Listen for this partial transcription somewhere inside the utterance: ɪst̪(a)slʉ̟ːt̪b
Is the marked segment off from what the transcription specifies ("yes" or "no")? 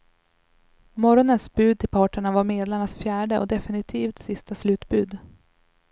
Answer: no